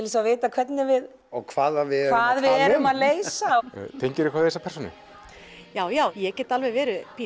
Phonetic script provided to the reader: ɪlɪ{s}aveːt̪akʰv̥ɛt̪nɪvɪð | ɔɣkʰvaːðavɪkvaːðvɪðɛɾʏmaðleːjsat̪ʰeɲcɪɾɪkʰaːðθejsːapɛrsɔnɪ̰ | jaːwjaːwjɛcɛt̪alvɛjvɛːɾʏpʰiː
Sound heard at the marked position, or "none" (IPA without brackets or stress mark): s